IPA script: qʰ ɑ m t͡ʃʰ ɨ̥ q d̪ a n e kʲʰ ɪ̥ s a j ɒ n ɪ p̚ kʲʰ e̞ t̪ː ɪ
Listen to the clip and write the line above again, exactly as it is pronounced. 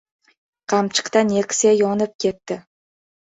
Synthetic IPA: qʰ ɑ m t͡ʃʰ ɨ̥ q t̪ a n e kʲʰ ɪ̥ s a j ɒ n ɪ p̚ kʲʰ e̞ t̪ː ɪ